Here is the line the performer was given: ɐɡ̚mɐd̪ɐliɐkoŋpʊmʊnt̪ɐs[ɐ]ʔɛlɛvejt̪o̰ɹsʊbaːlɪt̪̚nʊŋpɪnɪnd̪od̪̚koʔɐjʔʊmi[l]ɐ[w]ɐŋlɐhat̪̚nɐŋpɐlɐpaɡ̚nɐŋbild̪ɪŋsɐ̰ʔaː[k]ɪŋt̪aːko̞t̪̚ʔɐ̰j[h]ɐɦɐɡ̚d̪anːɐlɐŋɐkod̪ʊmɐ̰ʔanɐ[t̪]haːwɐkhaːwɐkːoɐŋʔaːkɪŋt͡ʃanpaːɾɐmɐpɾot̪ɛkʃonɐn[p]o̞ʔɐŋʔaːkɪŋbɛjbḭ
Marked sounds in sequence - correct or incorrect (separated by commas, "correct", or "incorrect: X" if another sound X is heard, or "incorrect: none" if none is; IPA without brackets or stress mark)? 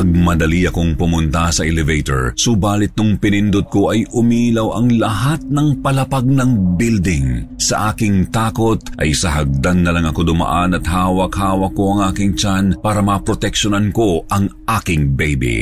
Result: correct, correct, correct, correct, incorrect: s, correct, incorrect: k